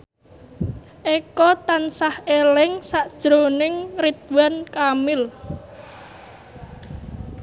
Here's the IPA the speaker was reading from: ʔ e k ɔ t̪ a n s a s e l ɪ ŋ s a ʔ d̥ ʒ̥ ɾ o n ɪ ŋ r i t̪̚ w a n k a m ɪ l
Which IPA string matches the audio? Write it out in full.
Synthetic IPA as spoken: ʔ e k ɔ t̪ a n s a h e l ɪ ŋ s a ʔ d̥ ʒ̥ ɾ o n ɪ ŋ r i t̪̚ w a n k a m ɪ l